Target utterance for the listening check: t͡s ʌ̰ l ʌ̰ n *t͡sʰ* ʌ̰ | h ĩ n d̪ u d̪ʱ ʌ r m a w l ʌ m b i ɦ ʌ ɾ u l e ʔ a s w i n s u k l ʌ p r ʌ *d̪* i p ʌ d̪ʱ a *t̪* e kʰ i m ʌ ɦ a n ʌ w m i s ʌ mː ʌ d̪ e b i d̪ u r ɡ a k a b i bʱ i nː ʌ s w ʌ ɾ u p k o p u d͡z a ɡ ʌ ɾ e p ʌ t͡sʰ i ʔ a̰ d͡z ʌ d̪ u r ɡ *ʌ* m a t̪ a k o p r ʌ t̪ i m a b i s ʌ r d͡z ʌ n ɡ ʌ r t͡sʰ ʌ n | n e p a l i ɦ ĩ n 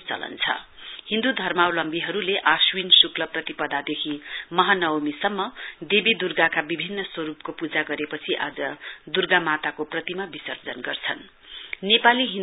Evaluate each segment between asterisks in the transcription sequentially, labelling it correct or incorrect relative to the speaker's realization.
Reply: correct, incorrect: t̪, incorrect: d̪, incorrect: a

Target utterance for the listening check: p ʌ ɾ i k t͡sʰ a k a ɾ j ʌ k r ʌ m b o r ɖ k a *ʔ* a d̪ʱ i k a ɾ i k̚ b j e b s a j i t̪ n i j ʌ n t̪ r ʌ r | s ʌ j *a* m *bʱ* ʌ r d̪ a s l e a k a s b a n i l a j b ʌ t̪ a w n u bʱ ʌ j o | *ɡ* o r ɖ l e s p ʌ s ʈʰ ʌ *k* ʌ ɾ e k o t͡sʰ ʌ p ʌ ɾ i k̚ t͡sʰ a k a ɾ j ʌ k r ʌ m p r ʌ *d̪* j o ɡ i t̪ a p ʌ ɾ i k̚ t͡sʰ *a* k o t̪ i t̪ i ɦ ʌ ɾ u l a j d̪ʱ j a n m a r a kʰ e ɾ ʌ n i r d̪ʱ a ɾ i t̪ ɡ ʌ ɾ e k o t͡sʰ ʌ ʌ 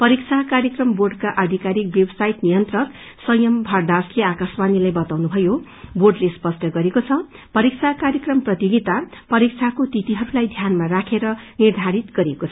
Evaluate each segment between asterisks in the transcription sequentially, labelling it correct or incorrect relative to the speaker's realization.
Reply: correct, incorrect: ʌ, correct, incorrect: b, incorrect: ɡ, incorrect: t̪, correct

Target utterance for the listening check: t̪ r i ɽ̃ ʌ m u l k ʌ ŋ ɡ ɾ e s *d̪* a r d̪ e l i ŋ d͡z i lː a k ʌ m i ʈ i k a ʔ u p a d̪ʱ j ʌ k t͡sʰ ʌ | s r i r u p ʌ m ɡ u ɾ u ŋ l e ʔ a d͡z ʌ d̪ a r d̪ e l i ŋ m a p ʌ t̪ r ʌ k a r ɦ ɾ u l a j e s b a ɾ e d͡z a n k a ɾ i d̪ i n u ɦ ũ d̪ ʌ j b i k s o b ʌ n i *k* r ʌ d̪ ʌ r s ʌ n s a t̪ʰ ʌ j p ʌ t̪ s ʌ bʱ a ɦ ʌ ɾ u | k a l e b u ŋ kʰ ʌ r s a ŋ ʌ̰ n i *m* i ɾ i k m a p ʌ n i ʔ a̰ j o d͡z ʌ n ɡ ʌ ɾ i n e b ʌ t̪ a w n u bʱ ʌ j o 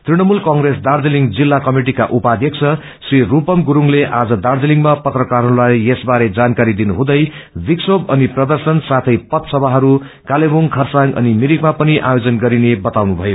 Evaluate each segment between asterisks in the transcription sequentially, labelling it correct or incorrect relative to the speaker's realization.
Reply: correct, incorrect: p, correct

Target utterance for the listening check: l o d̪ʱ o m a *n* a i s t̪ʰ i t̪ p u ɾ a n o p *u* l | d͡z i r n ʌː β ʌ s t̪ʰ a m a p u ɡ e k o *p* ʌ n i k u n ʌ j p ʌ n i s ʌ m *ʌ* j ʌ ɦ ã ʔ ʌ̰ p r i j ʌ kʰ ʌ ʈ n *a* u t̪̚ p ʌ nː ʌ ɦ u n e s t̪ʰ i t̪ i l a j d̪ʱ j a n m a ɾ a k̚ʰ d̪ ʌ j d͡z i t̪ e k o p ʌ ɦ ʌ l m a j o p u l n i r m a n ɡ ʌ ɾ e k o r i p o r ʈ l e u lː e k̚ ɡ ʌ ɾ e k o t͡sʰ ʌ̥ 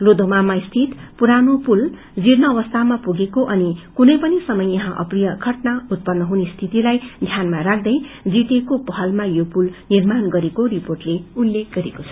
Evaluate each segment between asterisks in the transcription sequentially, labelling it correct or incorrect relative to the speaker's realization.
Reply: incorrect: m, correct, incorrect: ʔ, correct, correct

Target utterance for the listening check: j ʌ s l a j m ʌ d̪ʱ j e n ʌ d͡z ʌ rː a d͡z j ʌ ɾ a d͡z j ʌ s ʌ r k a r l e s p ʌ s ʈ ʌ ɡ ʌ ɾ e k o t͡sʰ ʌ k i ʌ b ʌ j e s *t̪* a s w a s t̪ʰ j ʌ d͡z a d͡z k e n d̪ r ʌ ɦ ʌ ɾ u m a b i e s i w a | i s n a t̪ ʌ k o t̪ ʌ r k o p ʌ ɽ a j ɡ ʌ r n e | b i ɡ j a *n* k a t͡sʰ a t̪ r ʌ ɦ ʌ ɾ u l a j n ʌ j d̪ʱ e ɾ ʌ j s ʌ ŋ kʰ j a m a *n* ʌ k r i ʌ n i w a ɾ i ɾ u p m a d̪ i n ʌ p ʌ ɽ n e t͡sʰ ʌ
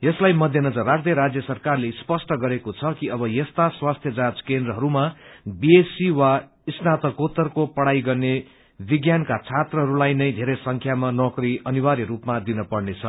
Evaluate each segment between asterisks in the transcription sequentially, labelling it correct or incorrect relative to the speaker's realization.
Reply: correct, correct, correct

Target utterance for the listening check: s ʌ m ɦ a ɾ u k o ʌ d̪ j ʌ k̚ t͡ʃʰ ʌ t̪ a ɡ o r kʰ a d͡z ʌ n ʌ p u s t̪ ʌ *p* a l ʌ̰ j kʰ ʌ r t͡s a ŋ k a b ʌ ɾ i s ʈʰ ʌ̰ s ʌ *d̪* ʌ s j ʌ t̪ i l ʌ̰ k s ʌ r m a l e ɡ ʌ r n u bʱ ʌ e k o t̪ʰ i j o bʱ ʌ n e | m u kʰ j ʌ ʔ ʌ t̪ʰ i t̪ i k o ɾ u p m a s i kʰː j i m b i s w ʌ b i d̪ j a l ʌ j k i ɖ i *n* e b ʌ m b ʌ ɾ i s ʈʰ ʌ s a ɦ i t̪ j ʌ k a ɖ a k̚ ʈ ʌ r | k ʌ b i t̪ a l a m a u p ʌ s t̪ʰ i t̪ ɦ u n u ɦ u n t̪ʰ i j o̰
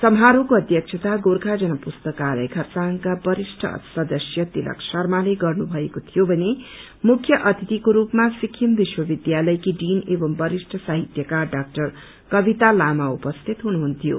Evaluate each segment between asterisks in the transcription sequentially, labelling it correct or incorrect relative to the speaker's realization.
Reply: incorrect: k, correct, correct

